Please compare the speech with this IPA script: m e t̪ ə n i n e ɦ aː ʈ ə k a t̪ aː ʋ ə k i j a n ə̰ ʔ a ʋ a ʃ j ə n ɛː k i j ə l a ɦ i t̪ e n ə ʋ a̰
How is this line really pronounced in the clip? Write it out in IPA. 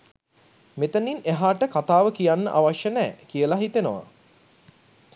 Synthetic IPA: m e t̪ ə n i n e ɦ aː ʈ ə k a t̪ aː ʋ ə k i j a nː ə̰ ʔ a ʋ a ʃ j ə n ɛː k i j ə l a ɦ i t̪ e n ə ʋ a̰